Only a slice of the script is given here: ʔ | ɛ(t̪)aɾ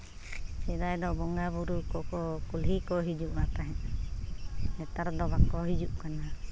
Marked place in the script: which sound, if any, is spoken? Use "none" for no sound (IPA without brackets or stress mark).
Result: t̪